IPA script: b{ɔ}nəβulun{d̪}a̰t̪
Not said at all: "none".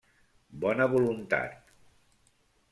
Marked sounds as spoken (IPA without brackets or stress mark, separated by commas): ɔ, t̪